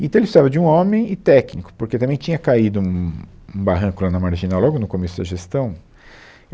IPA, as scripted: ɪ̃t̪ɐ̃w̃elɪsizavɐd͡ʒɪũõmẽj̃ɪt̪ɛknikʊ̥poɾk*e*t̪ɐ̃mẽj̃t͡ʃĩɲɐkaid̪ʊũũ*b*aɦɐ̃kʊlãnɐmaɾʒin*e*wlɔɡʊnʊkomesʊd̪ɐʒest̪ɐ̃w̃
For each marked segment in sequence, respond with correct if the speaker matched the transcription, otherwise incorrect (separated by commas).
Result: correct, correct, incorrect